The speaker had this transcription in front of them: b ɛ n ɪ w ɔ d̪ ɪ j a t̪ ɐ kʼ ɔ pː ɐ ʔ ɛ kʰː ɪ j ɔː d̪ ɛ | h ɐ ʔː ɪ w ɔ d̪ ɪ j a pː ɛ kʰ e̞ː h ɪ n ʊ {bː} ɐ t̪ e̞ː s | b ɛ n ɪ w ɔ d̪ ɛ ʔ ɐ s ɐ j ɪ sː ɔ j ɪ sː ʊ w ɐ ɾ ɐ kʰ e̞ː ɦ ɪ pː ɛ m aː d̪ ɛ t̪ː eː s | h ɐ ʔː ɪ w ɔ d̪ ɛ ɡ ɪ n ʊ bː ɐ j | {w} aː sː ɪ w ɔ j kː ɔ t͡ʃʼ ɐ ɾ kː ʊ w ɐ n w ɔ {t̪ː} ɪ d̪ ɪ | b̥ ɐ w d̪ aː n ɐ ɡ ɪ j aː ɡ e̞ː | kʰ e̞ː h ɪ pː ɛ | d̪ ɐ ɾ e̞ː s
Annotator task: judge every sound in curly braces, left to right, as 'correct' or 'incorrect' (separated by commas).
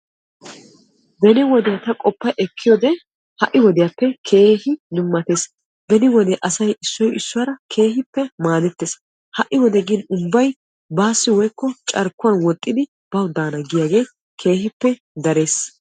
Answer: incorrect, incorrect, incorrect